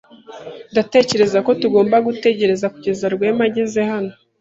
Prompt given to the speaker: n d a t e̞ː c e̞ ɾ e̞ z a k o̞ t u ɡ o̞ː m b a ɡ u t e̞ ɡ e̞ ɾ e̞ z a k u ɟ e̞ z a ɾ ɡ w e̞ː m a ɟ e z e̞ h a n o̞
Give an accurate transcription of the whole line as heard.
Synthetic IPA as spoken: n d a t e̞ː c e̞ ɾ e̞ z a k o̞ t u ɡ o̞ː m b a ɡ u t e̞ ɟ e̞ ɾ e̞ z a k u ɟ e̞ z a ɾ ɡ w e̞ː m a ɟ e z e̞ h a n o̞